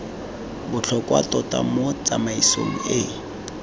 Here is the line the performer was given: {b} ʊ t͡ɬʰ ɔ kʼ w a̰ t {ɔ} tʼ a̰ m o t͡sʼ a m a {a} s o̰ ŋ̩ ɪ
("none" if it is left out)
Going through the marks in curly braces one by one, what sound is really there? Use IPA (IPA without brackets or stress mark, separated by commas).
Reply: b, ɔ, i